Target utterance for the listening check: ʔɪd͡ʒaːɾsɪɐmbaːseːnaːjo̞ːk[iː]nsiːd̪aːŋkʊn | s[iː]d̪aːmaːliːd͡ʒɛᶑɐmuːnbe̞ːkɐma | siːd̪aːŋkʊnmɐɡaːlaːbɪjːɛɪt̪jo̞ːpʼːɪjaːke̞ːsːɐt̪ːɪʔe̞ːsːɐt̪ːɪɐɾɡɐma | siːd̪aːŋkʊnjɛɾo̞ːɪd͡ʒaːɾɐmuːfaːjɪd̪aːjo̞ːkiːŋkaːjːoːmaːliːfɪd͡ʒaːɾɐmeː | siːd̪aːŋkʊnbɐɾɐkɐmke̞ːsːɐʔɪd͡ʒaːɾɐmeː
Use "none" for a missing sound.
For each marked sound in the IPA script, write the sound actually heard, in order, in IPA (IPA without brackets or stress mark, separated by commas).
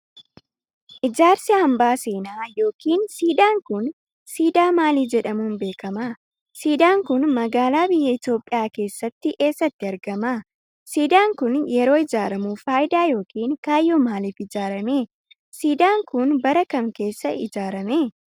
iː, iː